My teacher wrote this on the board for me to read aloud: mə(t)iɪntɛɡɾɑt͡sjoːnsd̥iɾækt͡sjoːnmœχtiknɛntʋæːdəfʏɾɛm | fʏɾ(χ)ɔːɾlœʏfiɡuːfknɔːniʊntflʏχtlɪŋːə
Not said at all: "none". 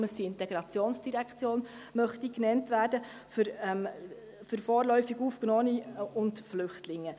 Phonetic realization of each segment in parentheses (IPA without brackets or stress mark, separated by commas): s, f